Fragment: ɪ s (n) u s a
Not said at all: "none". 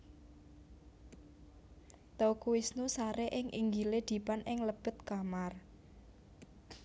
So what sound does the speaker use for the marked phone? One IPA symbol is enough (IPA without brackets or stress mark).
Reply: n